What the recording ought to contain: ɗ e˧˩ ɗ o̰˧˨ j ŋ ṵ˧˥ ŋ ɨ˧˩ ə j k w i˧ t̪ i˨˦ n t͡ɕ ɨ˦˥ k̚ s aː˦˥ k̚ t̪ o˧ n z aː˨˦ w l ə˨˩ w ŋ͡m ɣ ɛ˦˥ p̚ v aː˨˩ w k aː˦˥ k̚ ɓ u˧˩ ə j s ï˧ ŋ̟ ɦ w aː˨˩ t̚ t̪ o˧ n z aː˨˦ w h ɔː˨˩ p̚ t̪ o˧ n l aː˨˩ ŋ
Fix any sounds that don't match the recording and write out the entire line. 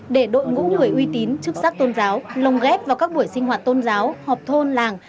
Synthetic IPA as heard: ɗ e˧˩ ɗ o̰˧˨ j ŋ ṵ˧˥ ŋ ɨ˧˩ ə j ʔ w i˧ t̪ i˨˦ n t͡ɕ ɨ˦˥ k̚ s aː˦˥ k̚ t̪ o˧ n z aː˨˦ w l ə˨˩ w ŋ͡m ɣ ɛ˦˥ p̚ v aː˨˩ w k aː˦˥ k̚ ɓ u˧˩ ə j s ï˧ ŋ̟ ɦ w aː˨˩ t̚ t̪ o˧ n z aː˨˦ w h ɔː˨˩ p̚ t̪ʰ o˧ n l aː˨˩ ŋ